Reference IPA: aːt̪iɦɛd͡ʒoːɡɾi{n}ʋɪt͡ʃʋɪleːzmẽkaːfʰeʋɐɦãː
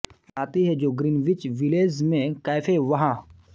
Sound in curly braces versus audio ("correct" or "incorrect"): correct